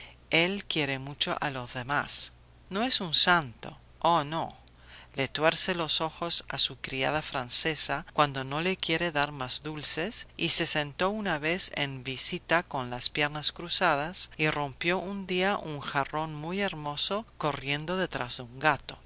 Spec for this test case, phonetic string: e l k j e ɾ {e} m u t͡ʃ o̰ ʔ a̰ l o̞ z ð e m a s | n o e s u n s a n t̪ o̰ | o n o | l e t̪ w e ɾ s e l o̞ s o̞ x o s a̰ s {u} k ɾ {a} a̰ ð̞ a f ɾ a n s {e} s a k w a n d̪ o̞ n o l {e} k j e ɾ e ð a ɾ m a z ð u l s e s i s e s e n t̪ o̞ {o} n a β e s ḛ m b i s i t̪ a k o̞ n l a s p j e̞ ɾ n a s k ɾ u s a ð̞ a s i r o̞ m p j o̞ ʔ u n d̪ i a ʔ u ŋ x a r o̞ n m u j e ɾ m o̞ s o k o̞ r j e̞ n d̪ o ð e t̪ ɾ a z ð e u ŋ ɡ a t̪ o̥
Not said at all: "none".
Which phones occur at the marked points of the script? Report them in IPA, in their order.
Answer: e, u, i, e, e, u

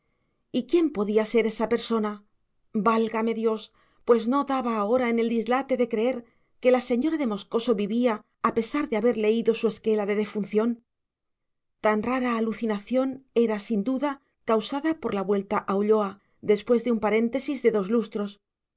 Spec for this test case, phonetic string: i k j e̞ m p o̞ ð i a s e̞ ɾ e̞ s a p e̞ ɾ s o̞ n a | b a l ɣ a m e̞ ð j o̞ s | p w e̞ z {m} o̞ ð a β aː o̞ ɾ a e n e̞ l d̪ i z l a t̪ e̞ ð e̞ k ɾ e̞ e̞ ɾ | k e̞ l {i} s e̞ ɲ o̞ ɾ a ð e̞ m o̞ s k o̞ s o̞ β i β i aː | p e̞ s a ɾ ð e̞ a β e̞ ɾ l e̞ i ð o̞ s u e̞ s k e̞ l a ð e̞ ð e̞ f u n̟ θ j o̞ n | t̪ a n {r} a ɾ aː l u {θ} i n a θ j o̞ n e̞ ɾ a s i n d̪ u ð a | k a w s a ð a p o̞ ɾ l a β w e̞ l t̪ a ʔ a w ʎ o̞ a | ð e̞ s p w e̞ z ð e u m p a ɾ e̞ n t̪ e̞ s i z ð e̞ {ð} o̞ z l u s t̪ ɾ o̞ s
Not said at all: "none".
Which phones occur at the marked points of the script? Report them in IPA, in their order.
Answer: n, a, r, θ, ð

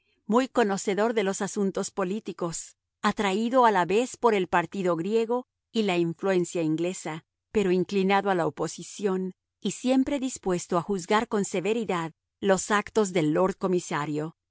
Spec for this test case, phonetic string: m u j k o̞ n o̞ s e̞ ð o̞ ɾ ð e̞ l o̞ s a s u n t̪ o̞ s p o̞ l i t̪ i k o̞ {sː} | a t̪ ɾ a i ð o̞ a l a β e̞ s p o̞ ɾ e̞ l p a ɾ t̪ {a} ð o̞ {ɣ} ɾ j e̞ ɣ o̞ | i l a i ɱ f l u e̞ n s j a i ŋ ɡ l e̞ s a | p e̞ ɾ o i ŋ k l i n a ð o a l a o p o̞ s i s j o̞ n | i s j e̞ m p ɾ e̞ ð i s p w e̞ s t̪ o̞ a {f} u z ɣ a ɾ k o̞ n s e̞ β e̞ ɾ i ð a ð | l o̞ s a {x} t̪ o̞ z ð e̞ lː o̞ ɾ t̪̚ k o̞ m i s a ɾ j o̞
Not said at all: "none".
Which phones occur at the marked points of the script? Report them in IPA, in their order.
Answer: s, i, ɣ, x, k

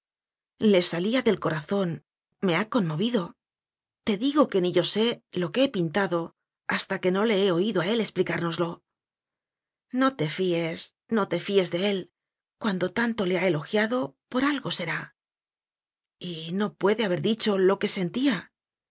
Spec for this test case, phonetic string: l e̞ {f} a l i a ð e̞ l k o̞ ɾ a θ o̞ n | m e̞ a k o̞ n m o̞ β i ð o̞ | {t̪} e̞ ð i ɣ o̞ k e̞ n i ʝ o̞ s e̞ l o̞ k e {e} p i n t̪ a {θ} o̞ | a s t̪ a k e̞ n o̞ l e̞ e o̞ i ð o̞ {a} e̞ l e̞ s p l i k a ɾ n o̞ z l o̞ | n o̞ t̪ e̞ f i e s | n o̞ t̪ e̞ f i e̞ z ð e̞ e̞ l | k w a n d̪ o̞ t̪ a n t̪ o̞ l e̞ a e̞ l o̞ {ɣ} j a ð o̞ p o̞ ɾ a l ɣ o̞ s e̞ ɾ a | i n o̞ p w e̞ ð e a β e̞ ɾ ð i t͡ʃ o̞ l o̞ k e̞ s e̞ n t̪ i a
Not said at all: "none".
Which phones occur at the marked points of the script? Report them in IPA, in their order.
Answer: s, t̪, e, ð, a, x

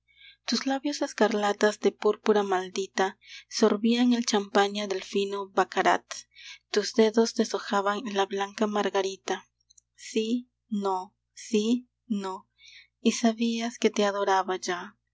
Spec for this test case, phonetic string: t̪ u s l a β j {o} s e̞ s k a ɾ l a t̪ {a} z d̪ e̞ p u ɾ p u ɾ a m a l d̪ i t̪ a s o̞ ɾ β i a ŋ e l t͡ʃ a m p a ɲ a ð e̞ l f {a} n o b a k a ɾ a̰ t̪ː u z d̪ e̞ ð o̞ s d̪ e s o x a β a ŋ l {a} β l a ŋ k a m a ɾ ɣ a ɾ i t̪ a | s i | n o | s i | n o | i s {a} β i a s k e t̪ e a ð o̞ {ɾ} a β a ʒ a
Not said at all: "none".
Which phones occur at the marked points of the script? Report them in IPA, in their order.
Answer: o, a, i, a, a, ɾ

